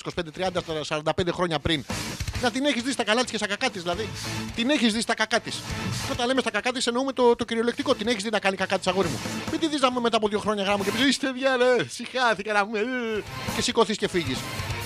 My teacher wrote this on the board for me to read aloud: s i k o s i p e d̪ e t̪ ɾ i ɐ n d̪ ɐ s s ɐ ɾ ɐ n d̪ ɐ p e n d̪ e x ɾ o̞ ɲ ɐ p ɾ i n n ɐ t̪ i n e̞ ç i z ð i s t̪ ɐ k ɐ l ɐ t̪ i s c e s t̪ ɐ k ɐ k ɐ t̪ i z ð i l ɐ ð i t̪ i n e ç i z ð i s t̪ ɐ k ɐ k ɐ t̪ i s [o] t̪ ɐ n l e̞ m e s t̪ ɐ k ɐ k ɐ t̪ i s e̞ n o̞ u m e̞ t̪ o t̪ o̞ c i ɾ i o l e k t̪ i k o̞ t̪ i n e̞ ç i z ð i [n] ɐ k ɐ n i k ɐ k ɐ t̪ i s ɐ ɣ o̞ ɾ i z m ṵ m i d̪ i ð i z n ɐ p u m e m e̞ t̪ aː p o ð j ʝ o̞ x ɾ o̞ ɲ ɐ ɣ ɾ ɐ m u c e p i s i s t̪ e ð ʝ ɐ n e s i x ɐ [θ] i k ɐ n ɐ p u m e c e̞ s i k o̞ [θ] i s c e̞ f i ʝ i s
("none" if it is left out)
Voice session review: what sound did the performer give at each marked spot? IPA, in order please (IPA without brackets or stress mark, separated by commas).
o, n, θ, θ